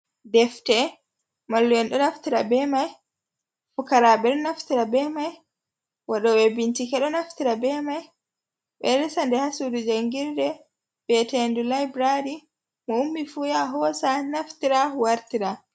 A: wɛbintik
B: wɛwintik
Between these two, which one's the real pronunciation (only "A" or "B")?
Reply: A